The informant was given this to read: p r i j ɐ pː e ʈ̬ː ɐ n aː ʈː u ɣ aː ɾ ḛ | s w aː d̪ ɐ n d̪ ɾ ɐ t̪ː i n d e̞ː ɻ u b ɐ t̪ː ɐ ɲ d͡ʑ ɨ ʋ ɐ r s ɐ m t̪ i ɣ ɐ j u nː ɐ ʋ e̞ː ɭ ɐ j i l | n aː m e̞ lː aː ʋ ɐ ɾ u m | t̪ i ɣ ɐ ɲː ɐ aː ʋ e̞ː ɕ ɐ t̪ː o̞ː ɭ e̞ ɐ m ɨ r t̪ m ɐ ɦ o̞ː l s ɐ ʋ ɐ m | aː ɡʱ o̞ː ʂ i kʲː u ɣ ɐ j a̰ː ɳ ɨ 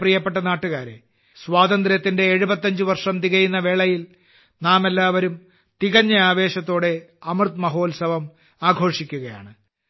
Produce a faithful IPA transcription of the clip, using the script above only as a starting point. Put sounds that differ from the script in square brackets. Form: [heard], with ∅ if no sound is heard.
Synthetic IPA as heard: p r i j ɐ pː e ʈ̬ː ɐ n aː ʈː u ɣ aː ɾ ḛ | s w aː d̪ ɐ n d̪ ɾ ɐ t̪ː i n d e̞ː ɻ u b ɐ t̪ː ɐ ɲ d͡ʑ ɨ ʋ ɐ r [ʂ] ɐ m t̪ i ɣ ɐ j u nː ɐ ʋ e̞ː ɭ ɐ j i l | n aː m e̞ lː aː ʋ ɐ ɾ u m | t̪ i ɣ ɐ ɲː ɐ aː ʋ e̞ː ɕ ɐ t̪ː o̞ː [ɽ] e̞ ɐ m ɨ r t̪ m ɐ ɦ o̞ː l s ɐ ʋ ɐ m | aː ɡʱ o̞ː ʂ i kʲː u ɣ ɐ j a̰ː ɳ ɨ